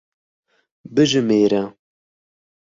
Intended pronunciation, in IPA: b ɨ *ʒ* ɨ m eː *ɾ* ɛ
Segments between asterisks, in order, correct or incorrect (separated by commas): correct, correct